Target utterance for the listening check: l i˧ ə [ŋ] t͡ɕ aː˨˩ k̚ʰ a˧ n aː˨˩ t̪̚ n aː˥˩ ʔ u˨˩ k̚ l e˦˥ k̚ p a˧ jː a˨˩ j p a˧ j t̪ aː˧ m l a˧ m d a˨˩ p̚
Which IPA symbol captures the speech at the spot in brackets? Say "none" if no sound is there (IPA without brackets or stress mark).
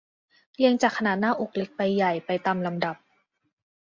ŋ